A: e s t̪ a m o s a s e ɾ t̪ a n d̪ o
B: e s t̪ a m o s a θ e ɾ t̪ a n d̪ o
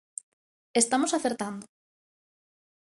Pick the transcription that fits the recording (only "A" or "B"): B